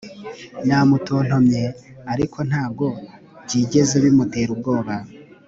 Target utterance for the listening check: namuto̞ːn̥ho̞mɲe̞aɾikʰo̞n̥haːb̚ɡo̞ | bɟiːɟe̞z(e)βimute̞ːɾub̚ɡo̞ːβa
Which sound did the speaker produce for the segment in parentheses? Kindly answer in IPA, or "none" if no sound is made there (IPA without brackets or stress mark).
e